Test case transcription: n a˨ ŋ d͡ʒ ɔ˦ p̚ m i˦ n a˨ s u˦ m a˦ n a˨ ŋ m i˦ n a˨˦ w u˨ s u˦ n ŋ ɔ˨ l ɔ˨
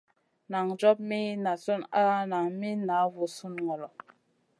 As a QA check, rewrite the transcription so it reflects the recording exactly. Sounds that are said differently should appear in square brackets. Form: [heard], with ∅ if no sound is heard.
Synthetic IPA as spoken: n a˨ ŋ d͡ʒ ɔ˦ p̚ m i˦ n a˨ s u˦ [n] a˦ n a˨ ŋ m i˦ n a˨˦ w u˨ s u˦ n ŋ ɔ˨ l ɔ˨